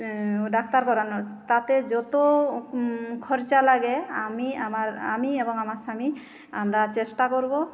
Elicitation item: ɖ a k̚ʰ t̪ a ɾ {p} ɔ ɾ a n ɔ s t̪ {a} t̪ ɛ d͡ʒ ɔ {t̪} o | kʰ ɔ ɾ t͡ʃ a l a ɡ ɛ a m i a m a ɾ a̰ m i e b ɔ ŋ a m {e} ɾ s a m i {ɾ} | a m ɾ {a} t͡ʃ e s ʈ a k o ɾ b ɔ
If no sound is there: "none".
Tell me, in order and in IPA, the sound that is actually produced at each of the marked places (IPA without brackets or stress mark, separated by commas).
k, a, t̪, a, none, a